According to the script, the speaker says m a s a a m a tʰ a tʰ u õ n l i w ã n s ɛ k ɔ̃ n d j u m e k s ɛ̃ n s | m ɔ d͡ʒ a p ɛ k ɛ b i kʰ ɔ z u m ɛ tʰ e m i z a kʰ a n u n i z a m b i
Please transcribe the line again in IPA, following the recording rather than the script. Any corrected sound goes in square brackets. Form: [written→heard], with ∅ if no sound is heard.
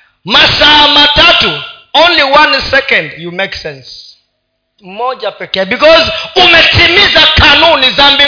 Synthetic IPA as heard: m a s a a m a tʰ a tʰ u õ n l i w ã n s ɛ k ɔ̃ n d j u m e k s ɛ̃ n s | m ɔ d͡ʒ a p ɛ k ɛ b i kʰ ɔ z u m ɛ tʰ [e→i] m i z a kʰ a n u n i z a m b i